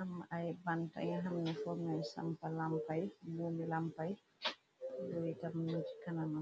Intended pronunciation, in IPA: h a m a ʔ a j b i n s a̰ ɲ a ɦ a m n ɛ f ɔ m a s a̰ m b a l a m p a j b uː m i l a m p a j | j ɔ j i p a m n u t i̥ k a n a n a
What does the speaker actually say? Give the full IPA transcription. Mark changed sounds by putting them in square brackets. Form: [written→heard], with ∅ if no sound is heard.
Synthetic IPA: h a m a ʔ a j b [i→a] n [s→t] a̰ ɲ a ɦ a m n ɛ f ɔ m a s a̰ m [b→p] a l a m p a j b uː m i l a m p a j | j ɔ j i [p→t] a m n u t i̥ k a n a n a